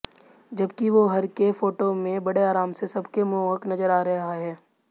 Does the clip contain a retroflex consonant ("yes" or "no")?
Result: yes